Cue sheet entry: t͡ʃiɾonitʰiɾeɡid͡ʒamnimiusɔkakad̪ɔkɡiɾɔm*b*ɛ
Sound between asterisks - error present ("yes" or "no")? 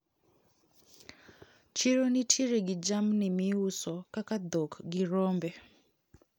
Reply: no